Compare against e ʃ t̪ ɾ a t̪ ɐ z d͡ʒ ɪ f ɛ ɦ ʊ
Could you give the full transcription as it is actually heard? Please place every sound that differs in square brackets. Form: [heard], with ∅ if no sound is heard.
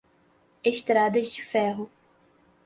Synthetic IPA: e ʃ t̪ ɾ a [d̪] ɐ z d͡ʒ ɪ f ɛ ɦ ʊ

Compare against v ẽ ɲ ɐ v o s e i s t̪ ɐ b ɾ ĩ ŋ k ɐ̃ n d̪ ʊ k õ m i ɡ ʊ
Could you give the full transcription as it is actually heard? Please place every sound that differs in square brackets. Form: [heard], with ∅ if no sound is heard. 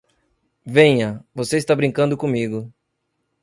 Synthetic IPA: v ẽ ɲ ɐ v o s e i s t̪ [a] b ɾ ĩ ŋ k ɐ̃ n d̪ ʊ k õ m i ɡ ʊ

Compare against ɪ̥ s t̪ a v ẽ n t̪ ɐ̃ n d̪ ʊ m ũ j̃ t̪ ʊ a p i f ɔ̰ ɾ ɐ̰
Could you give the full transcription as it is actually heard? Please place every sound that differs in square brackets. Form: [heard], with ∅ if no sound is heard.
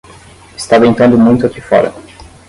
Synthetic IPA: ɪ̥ s t̪ a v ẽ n t̪ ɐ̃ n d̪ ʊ m ũ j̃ t̪ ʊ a [k] i f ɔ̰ ɾ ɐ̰

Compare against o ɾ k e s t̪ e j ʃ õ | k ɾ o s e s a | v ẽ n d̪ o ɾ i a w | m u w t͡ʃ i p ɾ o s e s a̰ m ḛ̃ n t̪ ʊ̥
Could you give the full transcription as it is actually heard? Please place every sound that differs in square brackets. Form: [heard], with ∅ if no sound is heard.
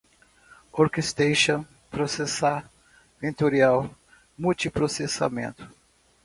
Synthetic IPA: o ɾ k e s t̪ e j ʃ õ | [p] ɾ o s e s a | v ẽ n [t̪] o ɾ i a w | m u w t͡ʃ i p ɾ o s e s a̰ m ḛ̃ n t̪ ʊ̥

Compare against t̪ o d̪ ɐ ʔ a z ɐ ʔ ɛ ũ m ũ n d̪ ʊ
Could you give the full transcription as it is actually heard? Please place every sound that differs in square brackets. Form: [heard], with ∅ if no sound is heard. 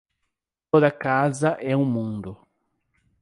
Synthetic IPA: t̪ o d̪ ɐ [k] a z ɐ ʔ ɛ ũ m ũ n d̪ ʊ

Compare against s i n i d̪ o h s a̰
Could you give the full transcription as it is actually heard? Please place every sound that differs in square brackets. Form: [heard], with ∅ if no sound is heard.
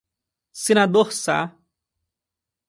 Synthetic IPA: s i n [a] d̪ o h s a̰

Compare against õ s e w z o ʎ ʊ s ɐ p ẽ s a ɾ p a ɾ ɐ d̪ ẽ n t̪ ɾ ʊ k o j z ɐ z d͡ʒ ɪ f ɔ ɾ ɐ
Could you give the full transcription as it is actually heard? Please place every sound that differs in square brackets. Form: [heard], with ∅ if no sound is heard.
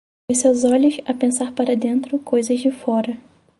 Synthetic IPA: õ s e w z [ɔ] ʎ ʊ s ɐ p ẽ s a ɾ p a ɾ ɐ d̪ ẽ n t̪ ɾ ʊ k o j z ɐ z d͡ʒ ɪ f ɔ ɾ ɐ

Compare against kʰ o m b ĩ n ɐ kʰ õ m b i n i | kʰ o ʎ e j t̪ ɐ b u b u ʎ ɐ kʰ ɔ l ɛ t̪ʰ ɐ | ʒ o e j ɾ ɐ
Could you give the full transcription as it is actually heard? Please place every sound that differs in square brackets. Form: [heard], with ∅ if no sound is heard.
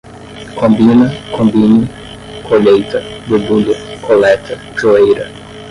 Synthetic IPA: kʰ [õ] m b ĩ n ɐ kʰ õ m b i n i | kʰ o ʎ e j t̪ ɐ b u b u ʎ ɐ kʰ [o] l ɛ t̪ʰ ɐ | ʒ o e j ɾ ɐ

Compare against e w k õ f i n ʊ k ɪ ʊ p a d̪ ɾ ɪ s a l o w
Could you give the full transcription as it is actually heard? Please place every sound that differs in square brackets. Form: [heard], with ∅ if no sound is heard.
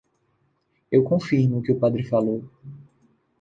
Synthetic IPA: e w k õ f i n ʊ k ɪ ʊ p a d̪ ɾ ɪ [f] a l o w

